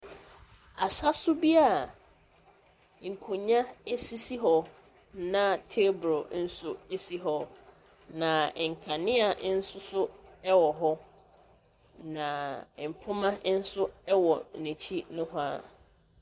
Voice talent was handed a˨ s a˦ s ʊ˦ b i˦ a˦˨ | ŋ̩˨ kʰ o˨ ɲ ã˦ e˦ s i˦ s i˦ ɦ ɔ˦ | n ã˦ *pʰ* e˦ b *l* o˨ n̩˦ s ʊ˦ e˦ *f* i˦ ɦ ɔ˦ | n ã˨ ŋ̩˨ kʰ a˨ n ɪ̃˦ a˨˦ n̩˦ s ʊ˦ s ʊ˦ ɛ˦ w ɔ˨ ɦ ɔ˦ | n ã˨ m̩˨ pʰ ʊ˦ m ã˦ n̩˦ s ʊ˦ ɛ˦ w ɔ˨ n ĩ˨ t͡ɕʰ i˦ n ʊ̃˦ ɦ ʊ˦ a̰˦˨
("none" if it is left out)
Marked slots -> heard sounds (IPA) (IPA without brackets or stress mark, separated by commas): tʰ, ɾ, s